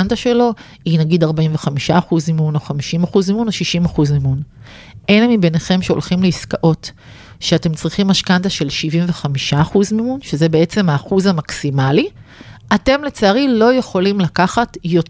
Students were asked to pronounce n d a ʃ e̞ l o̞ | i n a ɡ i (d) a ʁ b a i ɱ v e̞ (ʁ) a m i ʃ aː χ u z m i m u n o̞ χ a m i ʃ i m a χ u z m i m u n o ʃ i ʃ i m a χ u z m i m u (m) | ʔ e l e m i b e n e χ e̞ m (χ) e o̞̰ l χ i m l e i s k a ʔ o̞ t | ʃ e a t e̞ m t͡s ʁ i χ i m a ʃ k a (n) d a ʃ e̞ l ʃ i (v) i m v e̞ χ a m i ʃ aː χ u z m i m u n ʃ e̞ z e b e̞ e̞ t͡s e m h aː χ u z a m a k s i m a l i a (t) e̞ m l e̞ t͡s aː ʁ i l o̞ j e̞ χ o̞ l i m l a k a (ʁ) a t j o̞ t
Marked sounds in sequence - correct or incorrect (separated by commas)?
correct, incorrect, incorrect, incorrect, correct, correct, correct, incorrect